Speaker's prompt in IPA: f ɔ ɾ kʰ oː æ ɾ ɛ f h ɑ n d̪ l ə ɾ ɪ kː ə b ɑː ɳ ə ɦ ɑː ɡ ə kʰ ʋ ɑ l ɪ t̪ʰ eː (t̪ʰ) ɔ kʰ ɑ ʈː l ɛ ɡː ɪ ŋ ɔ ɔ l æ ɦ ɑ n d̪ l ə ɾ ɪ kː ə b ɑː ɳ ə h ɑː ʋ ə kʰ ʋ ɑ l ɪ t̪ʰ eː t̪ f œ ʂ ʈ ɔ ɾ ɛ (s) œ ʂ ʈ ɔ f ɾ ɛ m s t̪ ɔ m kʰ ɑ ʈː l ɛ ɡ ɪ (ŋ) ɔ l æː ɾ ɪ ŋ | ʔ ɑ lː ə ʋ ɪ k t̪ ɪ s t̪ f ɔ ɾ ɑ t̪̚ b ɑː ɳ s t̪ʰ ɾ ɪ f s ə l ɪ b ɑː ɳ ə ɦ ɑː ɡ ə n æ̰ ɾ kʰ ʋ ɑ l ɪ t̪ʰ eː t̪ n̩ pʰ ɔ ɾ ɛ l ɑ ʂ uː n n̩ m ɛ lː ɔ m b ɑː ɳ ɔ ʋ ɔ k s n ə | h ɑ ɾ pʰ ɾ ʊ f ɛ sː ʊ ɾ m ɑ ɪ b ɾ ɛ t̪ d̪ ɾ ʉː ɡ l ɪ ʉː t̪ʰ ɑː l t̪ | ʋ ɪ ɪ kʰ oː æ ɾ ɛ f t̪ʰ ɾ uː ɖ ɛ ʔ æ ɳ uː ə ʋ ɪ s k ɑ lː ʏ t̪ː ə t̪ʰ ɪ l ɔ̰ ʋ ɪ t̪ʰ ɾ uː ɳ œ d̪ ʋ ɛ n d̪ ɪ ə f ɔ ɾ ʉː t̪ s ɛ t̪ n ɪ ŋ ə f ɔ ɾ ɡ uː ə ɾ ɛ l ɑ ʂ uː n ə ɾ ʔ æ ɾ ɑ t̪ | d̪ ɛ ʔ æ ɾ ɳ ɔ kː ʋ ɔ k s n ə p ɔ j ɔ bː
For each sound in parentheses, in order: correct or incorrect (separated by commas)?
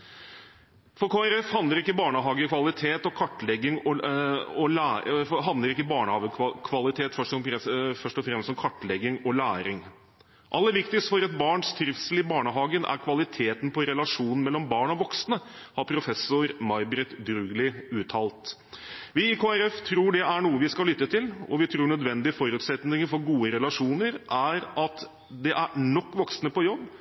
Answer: incorrect, incorrect, correct